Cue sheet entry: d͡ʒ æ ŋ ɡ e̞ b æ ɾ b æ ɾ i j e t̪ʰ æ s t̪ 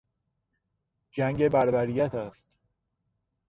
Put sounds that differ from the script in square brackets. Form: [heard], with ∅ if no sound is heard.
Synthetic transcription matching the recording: d͡ʒ æ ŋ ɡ e̞ b æ ɾ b æ ɾ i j [æ] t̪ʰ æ s t̪